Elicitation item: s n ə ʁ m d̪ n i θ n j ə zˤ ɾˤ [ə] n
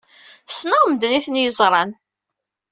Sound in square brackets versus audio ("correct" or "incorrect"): incorrect